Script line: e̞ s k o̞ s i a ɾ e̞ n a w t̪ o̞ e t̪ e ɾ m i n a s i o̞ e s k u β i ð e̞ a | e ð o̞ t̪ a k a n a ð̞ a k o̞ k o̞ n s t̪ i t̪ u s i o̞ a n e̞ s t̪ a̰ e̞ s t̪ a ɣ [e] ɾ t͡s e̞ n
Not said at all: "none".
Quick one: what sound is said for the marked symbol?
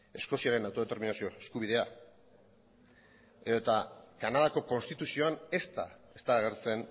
e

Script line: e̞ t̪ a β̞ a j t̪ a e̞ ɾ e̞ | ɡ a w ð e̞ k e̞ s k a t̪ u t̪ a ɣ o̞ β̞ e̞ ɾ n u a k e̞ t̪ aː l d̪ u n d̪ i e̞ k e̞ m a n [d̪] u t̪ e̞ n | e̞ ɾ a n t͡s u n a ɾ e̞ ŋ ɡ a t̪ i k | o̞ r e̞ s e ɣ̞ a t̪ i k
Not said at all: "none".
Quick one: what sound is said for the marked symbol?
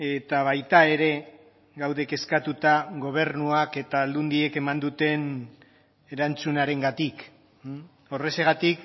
d̪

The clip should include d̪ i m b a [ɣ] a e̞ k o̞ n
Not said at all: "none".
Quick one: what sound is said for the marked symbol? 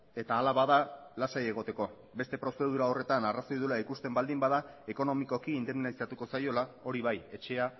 ð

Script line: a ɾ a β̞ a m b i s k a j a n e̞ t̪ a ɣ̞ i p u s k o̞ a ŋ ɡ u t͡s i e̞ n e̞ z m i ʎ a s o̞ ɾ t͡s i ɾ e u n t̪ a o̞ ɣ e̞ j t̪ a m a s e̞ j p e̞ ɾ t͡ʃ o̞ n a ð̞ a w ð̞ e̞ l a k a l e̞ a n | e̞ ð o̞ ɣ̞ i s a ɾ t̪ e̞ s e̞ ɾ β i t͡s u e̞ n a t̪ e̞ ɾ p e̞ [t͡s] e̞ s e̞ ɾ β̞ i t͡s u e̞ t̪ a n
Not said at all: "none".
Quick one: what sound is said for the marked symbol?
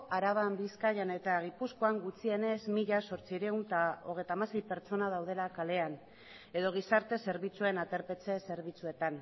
t͡s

